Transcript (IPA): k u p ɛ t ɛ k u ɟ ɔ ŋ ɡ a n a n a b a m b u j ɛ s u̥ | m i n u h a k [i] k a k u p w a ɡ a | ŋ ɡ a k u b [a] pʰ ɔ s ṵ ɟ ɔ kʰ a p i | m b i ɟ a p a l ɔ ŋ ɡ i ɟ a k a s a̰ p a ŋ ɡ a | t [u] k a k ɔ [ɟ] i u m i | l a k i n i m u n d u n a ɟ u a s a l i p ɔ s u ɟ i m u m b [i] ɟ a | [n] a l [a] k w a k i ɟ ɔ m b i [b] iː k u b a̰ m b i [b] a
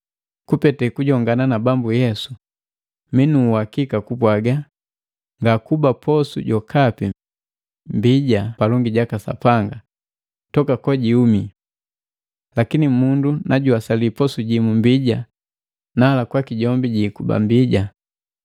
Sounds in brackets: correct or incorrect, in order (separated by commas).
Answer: correct, correct, incorrect, correct, correct, correct, correct, incorrect, incorrect